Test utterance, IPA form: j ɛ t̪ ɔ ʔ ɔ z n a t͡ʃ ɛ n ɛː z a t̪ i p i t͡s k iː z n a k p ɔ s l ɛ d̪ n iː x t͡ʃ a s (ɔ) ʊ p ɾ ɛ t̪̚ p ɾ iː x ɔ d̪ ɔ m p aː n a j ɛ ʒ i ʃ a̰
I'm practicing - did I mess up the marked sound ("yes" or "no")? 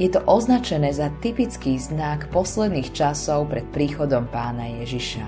no